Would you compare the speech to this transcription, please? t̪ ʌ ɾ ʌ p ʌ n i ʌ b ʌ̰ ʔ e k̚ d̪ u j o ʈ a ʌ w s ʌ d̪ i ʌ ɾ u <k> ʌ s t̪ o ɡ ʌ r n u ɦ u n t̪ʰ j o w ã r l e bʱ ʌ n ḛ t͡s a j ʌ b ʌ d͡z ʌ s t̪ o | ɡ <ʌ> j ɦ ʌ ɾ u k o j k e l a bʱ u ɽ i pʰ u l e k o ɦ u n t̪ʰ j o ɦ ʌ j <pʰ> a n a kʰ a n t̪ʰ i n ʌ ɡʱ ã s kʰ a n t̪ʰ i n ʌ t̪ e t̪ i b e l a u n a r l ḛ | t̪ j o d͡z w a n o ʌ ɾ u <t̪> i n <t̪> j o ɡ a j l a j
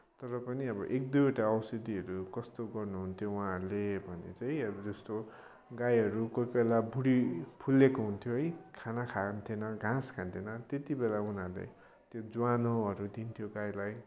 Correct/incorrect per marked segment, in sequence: correct, incorrect: a, incorrect: kʰ, incorrect: d̪, incorrect: t̪ʰ

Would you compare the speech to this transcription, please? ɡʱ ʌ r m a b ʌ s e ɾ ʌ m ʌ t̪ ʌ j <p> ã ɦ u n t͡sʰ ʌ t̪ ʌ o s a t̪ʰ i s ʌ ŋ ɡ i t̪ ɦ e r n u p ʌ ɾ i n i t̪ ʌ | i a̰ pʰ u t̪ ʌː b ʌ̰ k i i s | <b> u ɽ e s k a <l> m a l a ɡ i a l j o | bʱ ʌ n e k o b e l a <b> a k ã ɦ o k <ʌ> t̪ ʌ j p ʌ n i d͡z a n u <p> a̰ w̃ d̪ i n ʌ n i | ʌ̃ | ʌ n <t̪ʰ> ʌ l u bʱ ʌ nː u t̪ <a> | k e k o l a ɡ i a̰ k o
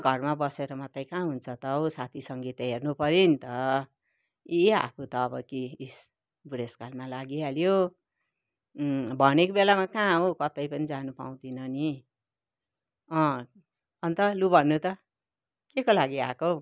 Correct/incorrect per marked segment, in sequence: incorrect: k, correct, correct, incorrect: m, correct, correct, incorrect: t̪, incorrect: ʌ

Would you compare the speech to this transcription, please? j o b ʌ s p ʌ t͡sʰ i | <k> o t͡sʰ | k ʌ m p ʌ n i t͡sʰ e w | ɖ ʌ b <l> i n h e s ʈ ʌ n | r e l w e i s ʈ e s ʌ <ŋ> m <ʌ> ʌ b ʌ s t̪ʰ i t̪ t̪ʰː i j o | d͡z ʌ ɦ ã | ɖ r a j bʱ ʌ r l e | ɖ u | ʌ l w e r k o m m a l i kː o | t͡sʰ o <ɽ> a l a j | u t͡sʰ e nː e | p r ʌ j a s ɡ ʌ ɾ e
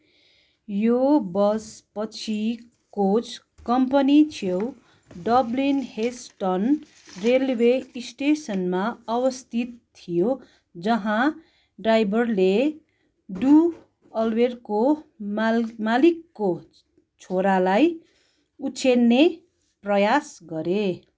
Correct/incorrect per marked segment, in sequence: correct, correct, incorrect: n, incorrect: a, incorrect: ɾ

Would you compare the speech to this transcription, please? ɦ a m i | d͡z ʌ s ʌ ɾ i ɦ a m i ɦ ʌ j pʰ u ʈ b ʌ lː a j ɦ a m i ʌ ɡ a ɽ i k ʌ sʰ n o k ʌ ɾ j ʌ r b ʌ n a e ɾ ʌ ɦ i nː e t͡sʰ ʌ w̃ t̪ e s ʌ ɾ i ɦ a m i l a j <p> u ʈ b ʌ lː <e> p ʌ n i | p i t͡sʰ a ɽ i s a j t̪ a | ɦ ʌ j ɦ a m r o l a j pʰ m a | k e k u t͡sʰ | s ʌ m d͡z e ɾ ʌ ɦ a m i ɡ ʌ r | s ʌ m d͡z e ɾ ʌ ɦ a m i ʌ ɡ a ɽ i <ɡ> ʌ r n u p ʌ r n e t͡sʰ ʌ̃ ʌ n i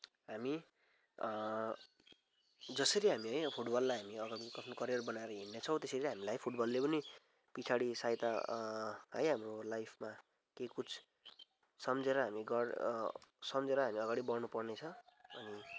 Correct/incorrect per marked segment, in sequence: incorrect: pʰ, correct, incorrect: b

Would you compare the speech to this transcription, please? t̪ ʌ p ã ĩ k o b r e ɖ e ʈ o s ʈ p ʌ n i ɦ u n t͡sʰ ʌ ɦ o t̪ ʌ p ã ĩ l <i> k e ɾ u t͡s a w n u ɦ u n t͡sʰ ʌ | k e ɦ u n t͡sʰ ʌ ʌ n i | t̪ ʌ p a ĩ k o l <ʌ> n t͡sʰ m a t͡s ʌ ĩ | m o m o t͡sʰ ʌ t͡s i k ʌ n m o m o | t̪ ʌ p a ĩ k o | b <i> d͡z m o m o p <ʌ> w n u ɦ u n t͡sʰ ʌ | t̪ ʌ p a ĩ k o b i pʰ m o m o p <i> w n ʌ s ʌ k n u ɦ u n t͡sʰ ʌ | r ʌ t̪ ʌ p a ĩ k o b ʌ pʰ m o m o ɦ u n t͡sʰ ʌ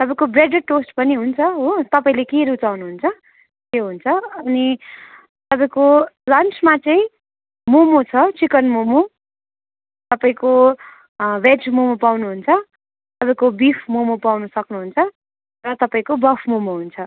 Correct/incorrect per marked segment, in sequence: incorrect: e, correct, incorrect: e, incorrect: a, incorrect: a

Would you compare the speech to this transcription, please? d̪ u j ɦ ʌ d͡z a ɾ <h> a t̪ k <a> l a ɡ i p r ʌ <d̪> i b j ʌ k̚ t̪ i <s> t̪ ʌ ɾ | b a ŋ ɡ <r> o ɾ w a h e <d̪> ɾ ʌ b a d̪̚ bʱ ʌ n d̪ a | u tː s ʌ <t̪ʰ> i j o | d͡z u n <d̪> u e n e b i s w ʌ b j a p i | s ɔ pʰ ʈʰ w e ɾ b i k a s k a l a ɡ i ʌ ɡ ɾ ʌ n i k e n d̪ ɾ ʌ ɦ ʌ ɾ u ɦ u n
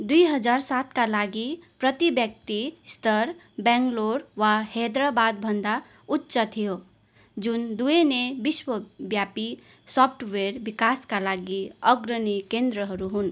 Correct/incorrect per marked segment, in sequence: incorrect: s, correct, incorrect: t̪, correct, incorrect: l, correct, correct, correct

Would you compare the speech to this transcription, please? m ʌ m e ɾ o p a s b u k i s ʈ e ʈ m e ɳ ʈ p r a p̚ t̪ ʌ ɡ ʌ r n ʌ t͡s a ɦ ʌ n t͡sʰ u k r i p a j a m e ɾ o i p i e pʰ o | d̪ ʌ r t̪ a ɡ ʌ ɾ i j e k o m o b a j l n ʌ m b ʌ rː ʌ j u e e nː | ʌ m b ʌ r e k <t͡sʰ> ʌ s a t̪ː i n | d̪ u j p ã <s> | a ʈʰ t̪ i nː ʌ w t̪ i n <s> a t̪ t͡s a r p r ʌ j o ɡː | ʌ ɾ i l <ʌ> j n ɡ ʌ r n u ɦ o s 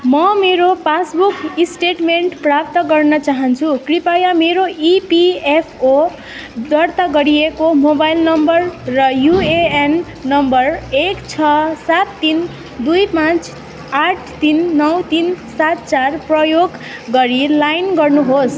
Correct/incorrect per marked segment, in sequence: correct, incorrect: t͡s, correct, incorrect: a

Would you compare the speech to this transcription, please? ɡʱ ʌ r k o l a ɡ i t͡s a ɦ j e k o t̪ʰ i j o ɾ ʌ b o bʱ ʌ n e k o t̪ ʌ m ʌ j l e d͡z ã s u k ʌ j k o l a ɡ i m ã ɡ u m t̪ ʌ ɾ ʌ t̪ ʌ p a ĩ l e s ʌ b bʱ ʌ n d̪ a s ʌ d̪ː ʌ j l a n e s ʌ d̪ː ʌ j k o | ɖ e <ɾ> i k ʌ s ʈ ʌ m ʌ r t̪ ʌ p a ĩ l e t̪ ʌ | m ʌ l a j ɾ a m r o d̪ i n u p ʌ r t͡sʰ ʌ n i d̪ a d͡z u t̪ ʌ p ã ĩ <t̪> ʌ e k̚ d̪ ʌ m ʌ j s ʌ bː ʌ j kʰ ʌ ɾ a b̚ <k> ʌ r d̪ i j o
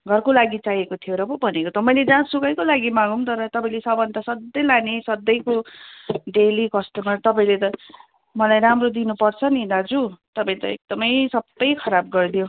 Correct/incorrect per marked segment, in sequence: incorrect: l, correct, incorrect: ɡ

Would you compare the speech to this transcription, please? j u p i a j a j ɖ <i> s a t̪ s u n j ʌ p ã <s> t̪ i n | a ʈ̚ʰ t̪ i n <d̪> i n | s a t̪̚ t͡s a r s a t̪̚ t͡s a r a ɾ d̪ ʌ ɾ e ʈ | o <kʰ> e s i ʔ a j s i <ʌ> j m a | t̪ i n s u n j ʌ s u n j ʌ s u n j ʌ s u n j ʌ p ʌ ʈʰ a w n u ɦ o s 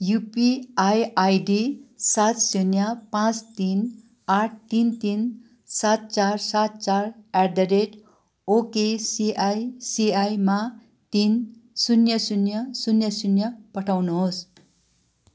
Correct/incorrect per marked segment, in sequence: correct, incorrect: t͡s, incorrect: t̪, incorrect: k, incorrect: a

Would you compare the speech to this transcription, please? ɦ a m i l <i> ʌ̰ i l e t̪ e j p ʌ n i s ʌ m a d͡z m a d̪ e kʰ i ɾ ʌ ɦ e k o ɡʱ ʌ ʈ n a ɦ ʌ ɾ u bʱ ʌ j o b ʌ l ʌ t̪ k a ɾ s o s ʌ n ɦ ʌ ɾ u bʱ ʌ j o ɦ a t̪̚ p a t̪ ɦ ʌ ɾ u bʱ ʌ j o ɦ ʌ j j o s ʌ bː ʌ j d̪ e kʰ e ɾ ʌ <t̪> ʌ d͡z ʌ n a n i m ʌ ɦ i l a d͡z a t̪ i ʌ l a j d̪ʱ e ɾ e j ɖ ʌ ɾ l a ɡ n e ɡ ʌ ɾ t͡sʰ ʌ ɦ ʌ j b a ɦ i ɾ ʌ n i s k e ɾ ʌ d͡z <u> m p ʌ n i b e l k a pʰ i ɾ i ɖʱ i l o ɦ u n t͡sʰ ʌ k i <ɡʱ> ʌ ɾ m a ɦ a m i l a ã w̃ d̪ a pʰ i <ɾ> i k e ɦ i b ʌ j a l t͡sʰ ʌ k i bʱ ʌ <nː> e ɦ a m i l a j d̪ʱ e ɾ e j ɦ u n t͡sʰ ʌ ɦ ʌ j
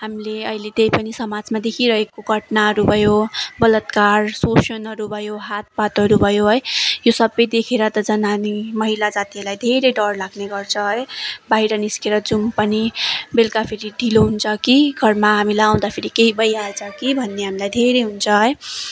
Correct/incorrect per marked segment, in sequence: incorrect: e, correct, correct, correct, correct, correct

